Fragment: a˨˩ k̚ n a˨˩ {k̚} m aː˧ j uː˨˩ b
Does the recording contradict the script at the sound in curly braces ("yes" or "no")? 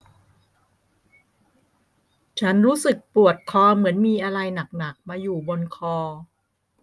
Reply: no